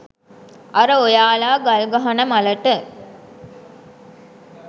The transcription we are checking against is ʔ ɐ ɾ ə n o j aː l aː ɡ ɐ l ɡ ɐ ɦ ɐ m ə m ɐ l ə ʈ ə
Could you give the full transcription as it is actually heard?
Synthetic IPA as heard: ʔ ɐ ɾ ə o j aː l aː ɡ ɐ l ɡ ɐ ɦ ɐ n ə m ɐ l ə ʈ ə